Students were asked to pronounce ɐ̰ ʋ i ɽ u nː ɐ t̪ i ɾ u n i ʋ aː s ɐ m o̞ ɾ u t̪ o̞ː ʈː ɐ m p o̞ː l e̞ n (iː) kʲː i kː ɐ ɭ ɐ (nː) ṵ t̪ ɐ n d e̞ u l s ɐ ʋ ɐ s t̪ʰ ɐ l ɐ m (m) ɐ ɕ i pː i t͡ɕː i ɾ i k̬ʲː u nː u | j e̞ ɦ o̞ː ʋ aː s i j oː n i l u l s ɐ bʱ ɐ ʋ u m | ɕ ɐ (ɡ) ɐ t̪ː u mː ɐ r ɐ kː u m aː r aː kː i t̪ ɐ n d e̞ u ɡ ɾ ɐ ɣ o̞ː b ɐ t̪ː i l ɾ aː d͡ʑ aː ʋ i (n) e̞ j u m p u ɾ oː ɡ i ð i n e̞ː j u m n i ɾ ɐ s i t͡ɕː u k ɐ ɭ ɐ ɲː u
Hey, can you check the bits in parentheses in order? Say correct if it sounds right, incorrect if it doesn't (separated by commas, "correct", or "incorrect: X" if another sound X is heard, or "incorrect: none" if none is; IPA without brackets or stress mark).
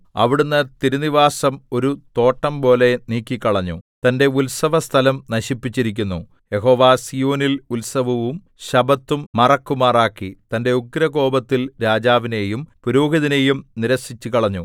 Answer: correct, incorrect: ɲː, incorrect: n, incorrect: b, correct